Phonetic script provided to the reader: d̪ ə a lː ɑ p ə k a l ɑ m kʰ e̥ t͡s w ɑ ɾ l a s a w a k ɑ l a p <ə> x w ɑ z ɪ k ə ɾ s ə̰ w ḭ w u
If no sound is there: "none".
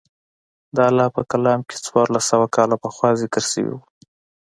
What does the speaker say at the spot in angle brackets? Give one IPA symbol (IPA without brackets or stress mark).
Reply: ə